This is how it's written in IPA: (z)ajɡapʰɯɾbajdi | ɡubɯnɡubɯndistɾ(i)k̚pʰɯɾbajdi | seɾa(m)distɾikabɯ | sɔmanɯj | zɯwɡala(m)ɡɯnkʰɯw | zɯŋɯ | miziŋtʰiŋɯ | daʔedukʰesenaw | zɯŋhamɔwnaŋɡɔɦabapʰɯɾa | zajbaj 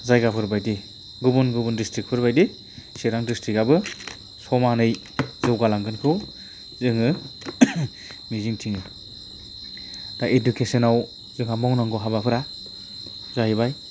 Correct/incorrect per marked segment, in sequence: correct, correct, incorrect, incorrect

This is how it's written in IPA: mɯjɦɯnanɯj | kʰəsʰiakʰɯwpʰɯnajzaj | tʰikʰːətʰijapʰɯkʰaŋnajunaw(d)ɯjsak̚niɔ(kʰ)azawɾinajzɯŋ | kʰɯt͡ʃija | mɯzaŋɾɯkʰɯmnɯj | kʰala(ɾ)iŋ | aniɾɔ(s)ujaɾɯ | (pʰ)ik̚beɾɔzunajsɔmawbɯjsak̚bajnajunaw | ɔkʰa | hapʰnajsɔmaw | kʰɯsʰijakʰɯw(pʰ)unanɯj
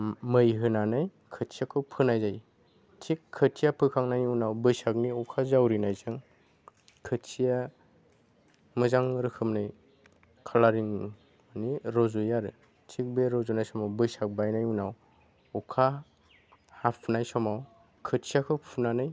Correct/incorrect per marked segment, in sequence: incorrect, correct, correct, incorrect, incorrect, correct

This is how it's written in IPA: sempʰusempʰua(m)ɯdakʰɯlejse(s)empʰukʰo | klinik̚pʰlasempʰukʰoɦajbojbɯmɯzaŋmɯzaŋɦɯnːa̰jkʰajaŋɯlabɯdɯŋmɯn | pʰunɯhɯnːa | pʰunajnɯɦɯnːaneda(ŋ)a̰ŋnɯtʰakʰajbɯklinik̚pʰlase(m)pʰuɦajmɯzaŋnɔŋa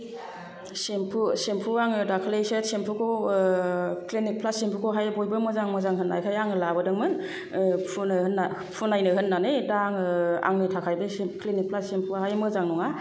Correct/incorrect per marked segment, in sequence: incorrect, correct, correct, correct

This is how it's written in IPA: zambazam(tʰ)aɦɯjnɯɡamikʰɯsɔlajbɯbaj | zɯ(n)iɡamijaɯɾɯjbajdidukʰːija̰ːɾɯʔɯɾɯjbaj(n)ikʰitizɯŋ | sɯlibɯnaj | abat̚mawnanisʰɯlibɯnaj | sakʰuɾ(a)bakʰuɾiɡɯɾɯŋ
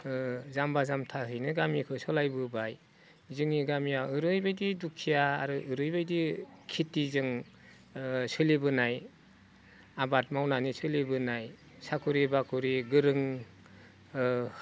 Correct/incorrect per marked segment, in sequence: correct, incorrect, incorrect, incorrect

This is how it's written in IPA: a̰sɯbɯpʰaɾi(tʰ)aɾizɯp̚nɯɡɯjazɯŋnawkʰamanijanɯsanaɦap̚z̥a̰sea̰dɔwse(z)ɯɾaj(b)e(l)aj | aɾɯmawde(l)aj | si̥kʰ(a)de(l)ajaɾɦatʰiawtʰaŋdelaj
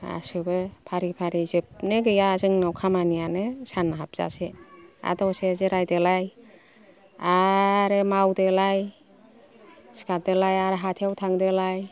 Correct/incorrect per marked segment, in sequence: incorrect, correct, incorrect, correct, correct, correct, correct

